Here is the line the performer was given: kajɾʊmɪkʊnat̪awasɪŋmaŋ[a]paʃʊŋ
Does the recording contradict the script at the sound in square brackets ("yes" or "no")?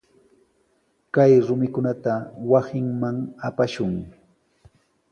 no